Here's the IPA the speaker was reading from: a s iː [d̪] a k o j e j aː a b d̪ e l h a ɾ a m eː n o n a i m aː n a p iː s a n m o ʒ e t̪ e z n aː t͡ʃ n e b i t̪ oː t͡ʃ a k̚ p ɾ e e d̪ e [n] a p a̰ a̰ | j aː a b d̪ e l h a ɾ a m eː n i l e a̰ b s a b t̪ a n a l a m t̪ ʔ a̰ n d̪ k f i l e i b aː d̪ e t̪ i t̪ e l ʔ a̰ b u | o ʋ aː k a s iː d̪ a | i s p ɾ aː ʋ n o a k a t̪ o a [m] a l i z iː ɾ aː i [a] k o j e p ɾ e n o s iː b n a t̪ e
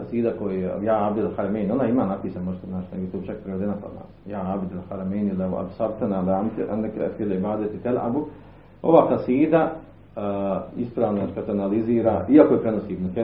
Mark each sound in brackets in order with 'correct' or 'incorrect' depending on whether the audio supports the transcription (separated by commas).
correct, correct, incorrect, correct